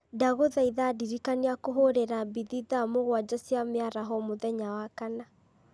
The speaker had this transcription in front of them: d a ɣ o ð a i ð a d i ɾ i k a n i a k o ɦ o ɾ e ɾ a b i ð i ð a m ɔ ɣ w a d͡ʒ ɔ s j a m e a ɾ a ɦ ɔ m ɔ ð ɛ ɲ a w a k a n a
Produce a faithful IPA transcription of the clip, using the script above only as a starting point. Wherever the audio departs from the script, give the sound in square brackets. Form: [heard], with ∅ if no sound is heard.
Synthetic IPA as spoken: d a ɣ o ð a i ð a d i ɾ i k a n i a k o ɦ o ɾ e ɾ a b i ð i ð a m [o] ɣ w a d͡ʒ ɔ s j a m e a ɾ a ɦ ɔ m [o] ð ɛ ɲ a w a k a n a